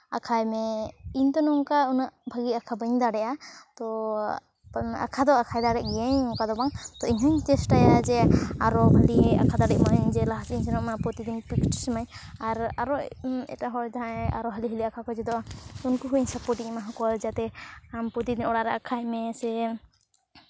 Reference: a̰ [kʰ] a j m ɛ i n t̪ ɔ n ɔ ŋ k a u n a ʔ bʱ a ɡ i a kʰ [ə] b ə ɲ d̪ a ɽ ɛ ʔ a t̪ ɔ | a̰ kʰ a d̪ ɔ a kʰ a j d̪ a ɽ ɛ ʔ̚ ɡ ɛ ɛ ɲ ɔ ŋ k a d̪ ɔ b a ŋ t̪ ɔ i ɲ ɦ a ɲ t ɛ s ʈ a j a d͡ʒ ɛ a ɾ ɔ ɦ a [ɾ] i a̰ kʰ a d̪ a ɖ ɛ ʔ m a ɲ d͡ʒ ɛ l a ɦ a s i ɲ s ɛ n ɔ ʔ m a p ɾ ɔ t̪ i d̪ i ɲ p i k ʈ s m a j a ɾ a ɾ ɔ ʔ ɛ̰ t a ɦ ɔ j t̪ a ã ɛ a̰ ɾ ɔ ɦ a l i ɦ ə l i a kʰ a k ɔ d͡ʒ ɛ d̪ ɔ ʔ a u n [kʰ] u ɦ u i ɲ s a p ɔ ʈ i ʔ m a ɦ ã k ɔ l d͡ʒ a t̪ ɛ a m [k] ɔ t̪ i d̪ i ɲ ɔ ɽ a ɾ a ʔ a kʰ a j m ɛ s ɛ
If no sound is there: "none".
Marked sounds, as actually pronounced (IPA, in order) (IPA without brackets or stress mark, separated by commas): kʰ, a, l, k, p